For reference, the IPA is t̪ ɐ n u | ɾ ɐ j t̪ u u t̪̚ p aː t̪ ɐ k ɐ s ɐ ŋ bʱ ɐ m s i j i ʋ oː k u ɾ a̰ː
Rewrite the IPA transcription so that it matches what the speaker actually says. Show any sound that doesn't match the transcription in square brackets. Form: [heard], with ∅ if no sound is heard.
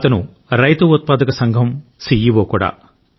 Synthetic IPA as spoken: t̪ ɐ n u | ɾ ɐ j t̪ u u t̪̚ p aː [d̪] ɐ k ɐ s ɐ ŋ [ɡʱ] ɐ m s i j i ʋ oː k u [ɽ] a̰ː